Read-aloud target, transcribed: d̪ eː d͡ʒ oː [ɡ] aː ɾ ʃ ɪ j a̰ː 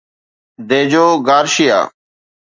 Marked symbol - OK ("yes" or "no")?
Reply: yes